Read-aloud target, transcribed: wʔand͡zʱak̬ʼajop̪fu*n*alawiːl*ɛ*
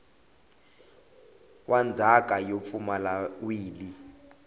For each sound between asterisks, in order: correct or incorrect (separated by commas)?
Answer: incorrect, incorrect